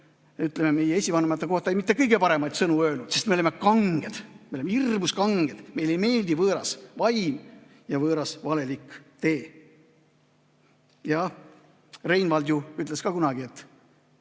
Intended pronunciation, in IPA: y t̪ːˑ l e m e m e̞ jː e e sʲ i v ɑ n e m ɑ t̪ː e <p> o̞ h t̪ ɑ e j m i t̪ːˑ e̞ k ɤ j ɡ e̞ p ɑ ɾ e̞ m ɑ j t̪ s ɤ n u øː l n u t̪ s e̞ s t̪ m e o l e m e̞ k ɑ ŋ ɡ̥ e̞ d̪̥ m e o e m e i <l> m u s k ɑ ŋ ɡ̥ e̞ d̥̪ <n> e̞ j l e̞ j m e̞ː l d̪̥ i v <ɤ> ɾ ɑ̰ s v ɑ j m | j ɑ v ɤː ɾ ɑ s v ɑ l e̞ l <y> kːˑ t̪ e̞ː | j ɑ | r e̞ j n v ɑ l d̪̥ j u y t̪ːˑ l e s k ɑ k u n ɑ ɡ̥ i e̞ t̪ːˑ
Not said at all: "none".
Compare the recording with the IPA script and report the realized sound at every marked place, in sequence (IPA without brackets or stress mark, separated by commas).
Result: k, r, m, ɤː, i